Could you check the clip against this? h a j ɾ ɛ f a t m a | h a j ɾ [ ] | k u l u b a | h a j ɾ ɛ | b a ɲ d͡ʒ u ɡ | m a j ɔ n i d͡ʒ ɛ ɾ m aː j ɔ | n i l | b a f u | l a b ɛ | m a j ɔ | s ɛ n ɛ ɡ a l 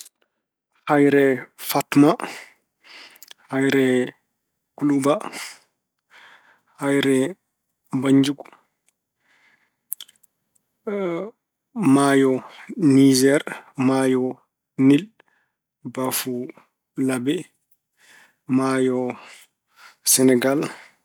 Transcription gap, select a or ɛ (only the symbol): ɛ